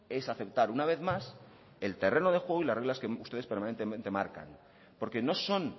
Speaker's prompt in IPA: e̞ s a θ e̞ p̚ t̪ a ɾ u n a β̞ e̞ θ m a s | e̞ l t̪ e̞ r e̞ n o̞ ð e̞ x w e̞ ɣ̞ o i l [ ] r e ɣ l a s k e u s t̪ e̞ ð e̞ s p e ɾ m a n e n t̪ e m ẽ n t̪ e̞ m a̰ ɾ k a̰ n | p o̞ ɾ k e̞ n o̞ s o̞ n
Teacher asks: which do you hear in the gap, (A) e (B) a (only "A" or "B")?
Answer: B